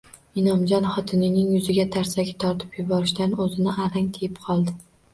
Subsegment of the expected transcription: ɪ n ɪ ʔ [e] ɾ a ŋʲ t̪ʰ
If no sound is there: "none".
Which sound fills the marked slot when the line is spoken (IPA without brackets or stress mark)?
a